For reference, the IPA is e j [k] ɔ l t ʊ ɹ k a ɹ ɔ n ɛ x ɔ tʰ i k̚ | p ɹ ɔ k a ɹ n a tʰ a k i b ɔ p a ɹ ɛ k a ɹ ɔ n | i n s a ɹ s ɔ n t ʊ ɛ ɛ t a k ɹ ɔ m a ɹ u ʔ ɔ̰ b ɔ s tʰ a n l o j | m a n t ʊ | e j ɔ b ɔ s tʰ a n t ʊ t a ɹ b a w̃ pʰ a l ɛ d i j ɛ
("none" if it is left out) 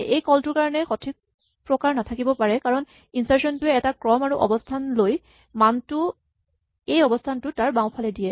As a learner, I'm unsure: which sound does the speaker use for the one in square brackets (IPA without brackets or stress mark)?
k